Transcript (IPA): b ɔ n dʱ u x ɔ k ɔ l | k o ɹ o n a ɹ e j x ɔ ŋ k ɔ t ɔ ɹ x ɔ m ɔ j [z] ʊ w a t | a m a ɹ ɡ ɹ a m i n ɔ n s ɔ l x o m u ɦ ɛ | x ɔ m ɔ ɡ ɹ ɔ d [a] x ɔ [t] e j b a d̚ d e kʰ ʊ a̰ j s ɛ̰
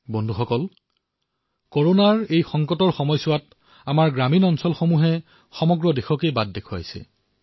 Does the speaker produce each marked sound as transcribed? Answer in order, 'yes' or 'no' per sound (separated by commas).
no, no, no